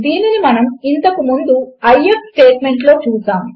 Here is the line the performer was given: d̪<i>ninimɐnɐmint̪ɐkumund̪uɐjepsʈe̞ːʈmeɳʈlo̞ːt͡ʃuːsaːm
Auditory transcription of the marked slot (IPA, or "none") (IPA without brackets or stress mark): iː